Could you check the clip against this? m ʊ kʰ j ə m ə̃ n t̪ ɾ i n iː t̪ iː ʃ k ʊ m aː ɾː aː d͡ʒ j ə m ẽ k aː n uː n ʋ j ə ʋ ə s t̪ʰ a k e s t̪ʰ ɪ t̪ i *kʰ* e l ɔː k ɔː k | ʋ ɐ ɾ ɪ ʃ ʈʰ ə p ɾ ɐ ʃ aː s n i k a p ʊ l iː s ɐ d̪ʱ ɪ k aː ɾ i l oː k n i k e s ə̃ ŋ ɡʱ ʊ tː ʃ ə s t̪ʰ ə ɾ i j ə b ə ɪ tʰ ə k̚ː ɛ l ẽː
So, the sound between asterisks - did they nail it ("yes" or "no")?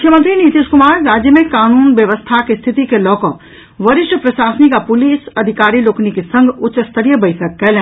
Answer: no